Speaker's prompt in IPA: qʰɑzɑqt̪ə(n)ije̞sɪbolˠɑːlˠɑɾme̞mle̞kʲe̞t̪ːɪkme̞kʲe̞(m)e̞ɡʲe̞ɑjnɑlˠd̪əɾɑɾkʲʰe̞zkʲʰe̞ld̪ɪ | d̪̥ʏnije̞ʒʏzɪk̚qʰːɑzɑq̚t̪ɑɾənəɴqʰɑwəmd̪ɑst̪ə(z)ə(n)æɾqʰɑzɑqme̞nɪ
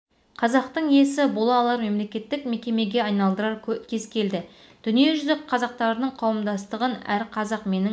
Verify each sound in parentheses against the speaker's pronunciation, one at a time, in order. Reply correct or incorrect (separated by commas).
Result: incorrect, correct, incorrect, correct